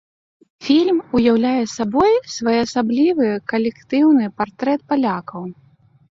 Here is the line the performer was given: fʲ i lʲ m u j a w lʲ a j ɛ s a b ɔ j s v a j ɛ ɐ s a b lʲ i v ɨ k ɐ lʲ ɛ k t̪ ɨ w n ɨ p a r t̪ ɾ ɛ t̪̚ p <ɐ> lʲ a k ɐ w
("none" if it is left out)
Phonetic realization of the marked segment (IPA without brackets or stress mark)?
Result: a